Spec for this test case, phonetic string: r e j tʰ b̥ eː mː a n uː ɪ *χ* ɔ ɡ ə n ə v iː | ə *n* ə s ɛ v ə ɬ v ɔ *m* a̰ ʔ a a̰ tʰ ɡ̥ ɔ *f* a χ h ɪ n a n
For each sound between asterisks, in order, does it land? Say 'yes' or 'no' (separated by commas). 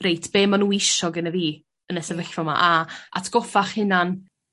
no, yes, yes, yes